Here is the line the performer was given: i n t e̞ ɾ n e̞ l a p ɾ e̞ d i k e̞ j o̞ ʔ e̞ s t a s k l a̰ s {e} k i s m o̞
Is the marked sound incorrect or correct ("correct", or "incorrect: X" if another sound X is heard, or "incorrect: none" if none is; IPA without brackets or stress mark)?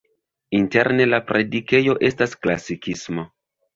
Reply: incorrect: i